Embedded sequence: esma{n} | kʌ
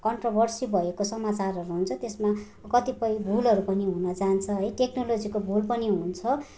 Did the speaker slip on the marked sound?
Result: yes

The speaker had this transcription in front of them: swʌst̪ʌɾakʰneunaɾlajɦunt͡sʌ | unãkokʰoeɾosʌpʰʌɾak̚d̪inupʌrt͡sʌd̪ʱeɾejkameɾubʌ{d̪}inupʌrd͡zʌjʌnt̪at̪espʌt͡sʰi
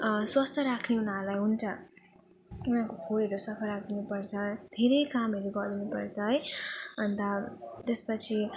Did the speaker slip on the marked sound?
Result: no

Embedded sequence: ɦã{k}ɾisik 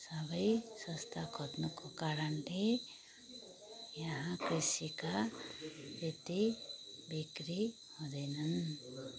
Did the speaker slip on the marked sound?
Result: no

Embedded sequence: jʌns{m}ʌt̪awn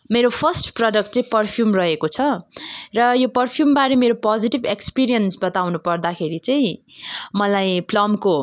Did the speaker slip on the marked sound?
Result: yes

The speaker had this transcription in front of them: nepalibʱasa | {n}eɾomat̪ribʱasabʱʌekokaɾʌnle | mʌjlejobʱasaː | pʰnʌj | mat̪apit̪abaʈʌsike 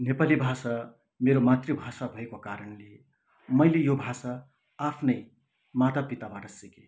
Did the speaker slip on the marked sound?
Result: yes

